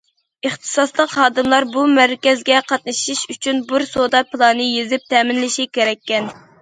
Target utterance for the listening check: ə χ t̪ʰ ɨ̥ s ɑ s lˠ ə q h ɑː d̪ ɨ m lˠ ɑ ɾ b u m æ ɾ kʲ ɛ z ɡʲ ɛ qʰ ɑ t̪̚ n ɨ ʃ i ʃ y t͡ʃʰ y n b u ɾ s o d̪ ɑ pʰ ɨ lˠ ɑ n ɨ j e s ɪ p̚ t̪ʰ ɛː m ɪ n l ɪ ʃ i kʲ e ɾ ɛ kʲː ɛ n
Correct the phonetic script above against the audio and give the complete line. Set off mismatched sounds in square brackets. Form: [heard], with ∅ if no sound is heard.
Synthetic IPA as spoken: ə χ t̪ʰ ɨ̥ s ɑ s lˠ ə q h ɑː d̪ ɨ m lˠ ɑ ɾ b u m æ ɾ kʲ ɛ z ɡʲ ɛ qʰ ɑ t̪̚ n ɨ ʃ i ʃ y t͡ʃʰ y n b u ɾ s o d̪ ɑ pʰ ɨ lˠ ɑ n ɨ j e [z] ɪ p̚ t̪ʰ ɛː m ɪ n l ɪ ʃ i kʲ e ɾ ɛ kʲː ɛ n